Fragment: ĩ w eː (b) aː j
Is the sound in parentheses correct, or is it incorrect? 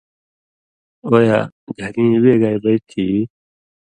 incorrect